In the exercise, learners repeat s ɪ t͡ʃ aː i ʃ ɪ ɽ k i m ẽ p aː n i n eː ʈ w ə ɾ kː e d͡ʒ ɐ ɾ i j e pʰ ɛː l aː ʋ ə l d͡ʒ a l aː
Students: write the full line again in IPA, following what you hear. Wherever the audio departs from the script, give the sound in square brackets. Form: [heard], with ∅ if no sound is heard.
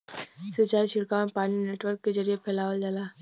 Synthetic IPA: s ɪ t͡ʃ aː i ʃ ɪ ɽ k [a] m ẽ p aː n i n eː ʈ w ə ɾ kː e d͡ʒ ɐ ɾ i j e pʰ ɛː l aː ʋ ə l d͡ʒ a l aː